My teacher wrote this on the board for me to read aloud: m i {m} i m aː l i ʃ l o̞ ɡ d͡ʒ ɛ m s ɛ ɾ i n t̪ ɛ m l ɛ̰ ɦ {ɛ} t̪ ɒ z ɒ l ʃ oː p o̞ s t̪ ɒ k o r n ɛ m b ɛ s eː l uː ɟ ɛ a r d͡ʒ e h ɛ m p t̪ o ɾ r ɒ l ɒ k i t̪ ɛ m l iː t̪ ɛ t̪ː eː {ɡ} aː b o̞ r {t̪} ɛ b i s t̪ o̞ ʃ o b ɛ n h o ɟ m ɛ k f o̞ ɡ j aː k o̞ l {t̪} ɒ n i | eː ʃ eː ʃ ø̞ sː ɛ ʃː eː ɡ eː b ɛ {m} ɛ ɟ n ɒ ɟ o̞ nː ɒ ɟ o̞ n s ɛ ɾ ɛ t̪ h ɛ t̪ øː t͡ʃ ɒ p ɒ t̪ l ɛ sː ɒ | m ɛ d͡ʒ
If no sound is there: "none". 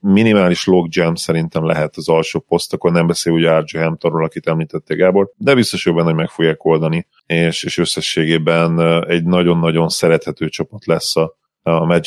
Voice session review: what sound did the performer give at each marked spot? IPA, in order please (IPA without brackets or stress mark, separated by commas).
n, ɛ, ɡ, d̪, d̪, n